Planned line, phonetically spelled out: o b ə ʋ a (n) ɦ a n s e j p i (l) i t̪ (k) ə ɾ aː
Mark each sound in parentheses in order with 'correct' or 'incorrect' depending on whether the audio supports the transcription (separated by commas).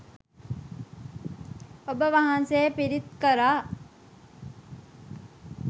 incorrect, incorrect, correct